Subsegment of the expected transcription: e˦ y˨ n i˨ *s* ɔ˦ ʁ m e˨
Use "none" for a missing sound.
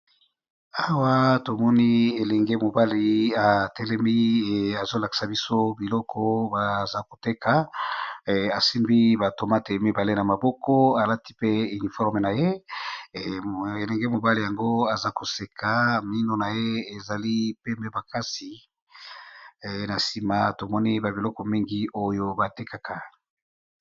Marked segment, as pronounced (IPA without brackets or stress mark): f